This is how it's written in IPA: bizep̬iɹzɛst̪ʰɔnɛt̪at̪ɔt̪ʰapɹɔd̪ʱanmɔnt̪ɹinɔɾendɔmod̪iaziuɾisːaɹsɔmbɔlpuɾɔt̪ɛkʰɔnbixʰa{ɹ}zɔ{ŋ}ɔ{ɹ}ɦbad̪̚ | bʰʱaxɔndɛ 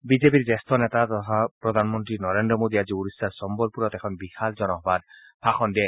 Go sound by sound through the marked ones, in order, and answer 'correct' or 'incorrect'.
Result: incorrect, incorrect, incorrect

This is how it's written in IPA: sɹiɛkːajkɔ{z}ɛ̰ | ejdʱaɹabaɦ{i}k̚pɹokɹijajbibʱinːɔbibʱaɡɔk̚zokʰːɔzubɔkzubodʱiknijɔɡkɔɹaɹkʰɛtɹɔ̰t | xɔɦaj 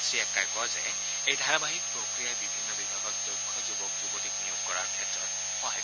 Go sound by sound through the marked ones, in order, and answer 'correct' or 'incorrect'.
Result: correct, correct

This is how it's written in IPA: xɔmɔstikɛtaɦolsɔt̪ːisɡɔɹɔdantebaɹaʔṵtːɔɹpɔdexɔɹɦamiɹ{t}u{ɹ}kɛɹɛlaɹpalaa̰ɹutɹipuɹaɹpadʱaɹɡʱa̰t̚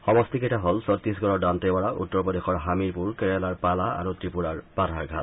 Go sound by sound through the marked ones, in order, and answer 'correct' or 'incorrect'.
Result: incorrect, correct

